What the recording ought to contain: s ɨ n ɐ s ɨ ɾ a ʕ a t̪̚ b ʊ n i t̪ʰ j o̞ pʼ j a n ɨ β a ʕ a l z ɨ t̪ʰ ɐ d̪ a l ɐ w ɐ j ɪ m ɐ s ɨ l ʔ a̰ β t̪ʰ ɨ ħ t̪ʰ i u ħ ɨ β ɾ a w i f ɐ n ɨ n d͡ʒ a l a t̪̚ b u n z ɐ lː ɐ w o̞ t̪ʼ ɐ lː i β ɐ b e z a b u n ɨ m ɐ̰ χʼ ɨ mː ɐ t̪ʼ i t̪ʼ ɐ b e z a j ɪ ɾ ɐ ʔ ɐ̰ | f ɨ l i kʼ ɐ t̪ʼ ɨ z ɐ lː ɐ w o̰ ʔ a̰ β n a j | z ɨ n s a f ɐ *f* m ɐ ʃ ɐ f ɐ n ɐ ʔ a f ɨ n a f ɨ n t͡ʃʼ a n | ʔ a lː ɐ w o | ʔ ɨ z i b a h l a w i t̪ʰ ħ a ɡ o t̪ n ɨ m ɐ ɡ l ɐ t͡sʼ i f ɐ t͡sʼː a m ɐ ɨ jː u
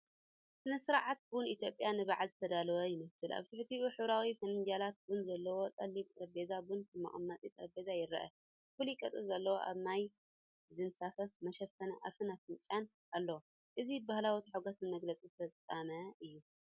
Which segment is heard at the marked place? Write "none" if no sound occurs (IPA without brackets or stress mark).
f